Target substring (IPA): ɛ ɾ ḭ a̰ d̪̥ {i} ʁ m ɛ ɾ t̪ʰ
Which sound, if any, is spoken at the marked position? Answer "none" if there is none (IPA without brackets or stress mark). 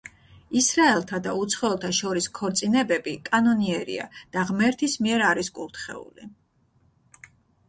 a